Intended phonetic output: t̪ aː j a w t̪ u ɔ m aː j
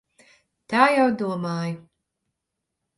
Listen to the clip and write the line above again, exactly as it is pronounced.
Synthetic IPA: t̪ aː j a w d̪ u ɔ m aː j

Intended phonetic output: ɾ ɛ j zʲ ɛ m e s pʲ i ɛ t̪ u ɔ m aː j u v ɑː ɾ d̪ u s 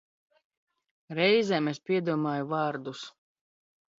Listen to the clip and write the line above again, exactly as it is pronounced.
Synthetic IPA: ɾ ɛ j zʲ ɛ m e s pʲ i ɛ d̪ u ɔ m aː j u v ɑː ɾ d̪ u s

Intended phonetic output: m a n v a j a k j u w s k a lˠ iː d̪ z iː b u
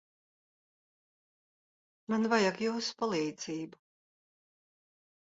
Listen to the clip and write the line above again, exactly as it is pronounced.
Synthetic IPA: m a n v a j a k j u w s p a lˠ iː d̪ z iː b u

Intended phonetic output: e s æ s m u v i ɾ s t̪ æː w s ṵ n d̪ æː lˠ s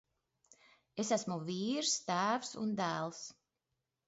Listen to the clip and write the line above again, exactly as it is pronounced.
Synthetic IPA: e s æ s m u v iː ɾ s t̪ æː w s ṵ n d̪ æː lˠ s

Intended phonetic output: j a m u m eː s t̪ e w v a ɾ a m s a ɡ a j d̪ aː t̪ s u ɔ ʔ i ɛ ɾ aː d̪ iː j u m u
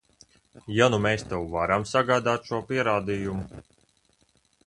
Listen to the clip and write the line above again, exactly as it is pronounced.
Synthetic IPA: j a n u m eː s t̪ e w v a ɾ a m s a ɡ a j d̪ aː t̪ ʃ u ɔ p i ɛ ɾ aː d̪ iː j u m u

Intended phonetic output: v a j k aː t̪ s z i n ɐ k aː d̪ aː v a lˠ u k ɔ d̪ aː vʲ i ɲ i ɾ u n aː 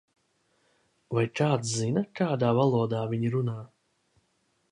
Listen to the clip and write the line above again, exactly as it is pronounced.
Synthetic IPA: v a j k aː t̪ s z i n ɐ k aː d̪ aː v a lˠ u ɔ d̪ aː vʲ i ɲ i ɾ u n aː

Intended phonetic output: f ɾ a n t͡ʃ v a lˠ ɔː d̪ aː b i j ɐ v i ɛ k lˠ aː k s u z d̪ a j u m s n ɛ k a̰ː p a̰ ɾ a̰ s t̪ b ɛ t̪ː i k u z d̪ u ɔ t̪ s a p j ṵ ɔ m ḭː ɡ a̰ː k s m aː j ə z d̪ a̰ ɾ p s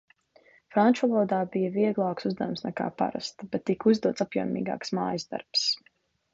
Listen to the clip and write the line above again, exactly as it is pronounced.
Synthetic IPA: f ɾ a n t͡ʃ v a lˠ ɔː d̪ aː b i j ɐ v i ɛ ɡ lˠ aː k s u z d̪ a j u m s n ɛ k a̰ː p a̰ ɾ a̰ s t̪ b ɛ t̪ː i k u z d̪ u ɔ t̪ s a p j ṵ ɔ m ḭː ɡ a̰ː k s m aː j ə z d̪ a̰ ɾ p s

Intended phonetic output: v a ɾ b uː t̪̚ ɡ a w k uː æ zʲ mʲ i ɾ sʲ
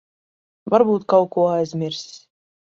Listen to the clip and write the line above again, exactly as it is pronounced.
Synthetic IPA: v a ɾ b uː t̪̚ k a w k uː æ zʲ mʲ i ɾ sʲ

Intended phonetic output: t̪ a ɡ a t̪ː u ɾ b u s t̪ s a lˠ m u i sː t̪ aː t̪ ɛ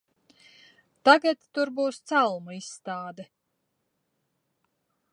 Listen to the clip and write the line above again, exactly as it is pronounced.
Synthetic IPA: t̪ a ɡ a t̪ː u ɾ b uː s t̪ s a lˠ m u i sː t̪ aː d̪ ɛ

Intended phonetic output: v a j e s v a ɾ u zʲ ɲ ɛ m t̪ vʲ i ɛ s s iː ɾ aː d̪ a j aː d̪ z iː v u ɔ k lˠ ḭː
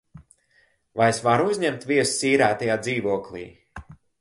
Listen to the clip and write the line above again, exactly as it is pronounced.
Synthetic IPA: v a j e s v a ɾ u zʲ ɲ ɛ m t̪ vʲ i ɛ s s iː ɾ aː t̪ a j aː d̪ z iː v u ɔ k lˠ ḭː

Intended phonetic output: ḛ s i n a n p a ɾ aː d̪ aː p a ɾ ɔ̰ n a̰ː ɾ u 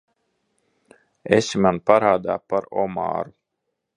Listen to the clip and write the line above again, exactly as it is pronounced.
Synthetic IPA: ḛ s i m a n p a ɾ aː d̪ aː p a ɾ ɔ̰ m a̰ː ɾ u

